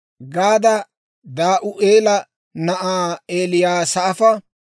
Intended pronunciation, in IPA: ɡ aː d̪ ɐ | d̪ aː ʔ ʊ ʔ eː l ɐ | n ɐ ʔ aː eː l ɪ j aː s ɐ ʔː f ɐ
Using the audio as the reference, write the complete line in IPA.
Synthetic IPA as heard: ɡ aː d̪ ɐ | d̪ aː ʔ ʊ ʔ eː l ɐ | n ɐ ʔ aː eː l ɪ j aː s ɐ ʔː f ɐ